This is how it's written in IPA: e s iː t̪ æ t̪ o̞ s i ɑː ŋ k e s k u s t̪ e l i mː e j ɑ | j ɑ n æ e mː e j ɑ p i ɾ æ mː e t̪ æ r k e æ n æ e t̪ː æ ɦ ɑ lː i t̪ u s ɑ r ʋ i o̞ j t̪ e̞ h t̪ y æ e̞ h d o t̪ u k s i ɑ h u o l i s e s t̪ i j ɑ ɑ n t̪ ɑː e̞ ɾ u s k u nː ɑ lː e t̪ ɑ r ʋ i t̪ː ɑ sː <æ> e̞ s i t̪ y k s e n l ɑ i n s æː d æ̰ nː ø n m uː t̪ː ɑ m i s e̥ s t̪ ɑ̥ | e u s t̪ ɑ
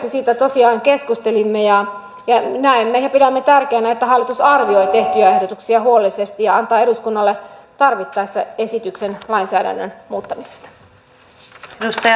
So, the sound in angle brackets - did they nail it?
yes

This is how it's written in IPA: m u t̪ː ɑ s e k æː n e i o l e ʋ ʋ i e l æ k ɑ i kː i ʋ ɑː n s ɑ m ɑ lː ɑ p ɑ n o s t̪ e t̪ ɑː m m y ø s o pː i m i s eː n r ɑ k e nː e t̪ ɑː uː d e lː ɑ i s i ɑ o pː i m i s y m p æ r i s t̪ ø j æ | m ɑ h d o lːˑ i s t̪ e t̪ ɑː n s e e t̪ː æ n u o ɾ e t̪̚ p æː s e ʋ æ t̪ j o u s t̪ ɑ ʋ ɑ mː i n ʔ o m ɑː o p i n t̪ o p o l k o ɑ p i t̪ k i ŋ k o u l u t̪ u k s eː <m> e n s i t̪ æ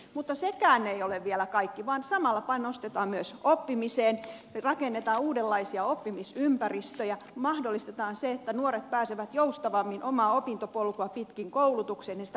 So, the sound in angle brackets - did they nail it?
no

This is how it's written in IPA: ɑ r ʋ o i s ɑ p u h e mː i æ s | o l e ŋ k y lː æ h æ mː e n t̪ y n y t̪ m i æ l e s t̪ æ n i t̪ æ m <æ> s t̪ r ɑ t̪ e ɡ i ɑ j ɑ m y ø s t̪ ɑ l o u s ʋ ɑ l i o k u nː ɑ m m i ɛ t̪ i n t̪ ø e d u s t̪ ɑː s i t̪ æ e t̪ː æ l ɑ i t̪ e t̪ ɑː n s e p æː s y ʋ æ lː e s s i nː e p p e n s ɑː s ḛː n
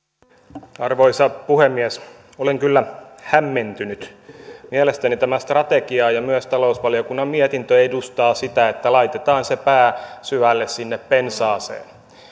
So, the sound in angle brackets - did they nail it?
yes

